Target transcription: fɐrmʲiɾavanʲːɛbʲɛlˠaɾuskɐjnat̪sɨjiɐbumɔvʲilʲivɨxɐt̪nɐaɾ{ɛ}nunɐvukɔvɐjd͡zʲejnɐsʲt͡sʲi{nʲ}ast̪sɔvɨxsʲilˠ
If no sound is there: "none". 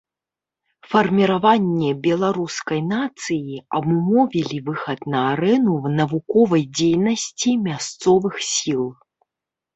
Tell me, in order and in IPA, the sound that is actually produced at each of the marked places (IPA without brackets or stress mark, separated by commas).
ɛ, mʲ